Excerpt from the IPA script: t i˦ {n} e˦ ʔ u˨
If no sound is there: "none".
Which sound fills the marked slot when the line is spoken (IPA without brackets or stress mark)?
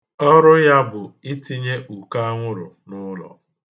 ɲ